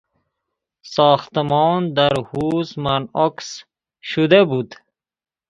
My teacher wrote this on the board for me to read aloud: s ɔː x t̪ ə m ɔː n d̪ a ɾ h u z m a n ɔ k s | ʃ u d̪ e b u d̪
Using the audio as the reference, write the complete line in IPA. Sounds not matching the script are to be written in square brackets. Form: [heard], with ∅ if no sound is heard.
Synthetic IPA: s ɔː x t̪ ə m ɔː n d̪ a ɾ h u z m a n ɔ k s | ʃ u d̪ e b u d̪